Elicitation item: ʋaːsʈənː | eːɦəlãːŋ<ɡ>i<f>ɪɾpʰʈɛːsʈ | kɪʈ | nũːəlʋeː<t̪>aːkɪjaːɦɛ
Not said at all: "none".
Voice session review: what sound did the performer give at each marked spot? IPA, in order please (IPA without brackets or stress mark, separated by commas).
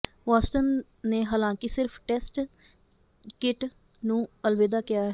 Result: k, s, d̪